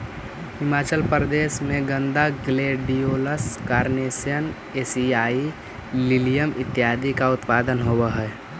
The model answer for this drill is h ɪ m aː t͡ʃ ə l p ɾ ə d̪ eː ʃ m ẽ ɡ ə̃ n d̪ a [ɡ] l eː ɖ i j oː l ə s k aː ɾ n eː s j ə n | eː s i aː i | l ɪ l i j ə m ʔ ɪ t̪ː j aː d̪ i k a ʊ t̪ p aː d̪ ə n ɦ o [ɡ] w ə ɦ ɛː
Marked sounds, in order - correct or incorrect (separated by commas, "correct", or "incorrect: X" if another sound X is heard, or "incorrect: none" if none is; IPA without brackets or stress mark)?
correct, incorrect: none